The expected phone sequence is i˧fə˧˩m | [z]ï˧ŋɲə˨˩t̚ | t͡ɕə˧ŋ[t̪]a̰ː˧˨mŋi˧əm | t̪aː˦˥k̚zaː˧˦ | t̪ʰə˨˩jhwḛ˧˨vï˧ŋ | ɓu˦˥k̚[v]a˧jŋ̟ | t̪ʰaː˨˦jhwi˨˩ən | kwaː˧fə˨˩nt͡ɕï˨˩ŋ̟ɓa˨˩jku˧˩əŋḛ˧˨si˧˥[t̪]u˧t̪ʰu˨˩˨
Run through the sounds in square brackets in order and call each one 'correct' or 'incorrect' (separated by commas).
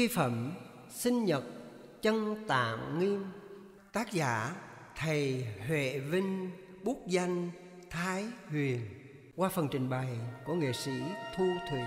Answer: incorrect, correct, incorrect, incorrect